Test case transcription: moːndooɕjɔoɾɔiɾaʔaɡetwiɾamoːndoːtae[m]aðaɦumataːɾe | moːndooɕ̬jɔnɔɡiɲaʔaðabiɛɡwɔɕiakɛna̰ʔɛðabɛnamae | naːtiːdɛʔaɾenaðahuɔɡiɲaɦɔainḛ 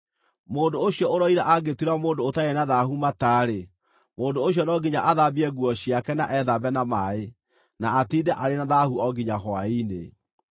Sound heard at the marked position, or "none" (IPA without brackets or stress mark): n